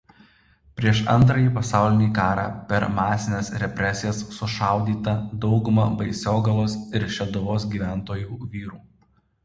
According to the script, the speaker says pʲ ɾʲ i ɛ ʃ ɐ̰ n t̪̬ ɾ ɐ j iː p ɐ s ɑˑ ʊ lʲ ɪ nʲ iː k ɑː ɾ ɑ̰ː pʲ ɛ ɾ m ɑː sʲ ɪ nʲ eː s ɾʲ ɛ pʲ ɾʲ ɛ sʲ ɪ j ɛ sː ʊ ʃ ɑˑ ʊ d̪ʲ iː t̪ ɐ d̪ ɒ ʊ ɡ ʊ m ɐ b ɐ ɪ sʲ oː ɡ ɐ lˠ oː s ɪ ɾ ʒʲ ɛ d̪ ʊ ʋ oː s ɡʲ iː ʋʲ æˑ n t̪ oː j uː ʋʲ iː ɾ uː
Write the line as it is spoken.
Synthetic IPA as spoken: pʲ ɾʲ i ɛ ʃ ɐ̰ n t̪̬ ɾ ɐ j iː p ɐ s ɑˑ ʊ lʲ ɪ nʲ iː k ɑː ɾ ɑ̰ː pʲ ɛ ɾ m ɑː sʲ ɪ nʲ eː s ɾʲ ɛ pʲ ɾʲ ɛ sʲ ɪ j ɛ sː ʊ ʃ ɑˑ ʊ d̪ʲ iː t̪ ɐ d̪ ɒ ʊ ɡ ʊ m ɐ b ɐ ɪ sʲ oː ɡ ɐ lˠ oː s ɪ ɾ ʃʲ ɛ d̪ ʊ ʋ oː s ɡʲ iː ʋʲ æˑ n t̪ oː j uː ʋʲ iː ɾ uː